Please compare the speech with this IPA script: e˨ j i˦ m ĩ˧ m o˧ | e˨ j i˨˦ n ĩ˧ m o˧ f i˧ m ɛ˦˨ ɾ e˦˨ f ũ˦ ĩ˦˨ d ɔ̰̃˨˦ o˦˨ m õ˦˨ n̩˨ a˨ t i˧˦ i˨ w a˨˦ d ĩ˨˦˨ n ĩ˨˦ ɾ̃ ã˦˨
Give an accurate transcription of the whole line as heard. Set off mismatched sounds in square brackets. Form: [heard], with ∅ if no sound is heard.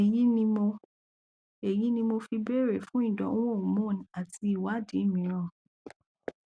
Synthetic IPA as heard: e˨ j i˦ [n] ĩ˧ m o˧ | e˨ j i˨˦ n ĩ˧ m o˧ f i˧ [b] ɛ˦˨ ɾ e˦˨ f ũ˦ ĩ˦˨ d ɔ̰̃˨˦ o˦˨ m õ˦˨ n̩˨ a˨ t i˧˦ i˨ w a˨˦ d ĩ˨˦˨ [m] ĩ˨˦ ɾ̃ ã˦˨